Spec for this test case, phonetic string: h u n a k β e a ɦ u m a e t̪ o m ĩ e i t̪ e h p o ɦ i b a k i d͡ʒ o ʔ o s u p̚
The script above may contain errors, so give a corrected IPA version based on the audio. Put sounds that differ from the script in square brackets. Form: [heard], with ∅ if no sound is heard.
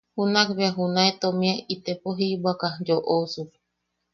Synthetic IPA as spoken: h u n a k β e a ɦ u [n] a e t̪ o m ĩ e i t̪ e [∅] p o ɦ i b a k [a] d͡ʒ o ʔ o s u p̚